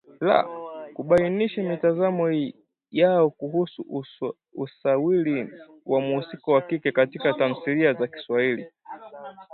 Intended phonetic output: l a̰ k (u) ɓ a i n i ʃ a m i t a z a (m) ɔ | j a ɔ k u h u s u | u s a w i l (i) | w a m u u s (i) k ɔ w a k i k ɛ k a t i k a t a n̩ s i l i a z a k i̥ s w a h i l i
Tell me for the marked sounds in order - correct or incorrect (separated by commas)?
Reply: correct, correct, correct, correct